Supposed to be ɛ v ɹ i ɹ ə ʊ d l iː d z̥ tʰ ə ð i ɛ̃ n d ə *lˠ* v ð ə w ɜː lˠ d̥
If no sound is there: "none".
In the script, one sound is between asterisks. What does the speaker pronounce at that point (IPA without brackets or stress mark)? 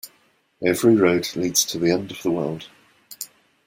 none